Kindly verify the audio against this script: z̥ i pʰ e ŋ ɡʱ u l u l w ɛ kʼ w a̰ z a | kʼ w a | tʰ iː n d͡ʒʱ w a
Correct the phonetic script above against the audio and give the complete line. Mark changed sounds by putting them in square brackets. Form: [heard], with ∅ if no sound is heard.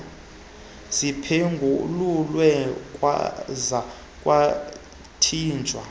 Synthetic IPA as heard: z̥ i pʰ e ŋ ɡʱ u l u l w ɛ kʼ w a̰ z a | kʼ w a | tʰ iː n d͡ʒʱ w a